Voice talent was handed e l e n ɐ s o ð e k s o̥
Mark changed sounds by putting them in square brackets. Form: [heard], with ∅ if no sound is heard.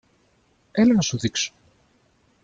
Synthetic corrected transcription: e l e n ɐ s [u] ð [i] k s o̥